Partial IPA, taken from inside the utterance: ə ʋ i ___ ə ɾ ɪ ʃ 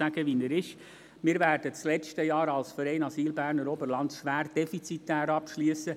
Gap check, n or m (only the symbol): n